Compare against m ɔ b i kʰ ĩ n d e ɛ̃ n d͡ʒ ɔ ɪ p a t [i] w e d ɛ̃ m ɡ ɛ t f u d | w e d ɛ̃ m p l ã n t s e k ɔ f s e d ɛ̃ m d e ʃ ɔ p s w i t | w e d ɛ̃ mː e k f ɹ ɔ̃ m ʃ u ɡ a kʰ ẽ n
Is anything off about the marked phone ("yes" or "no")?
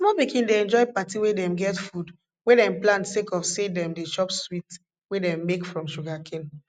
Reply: no